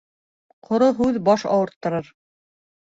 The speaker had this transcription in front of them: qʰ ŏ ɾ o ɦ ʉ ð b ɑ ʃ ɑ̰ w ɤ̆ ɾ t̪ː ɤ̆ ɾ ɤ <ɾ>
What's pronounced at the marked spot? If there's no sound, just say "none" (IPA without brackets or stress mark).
ɾ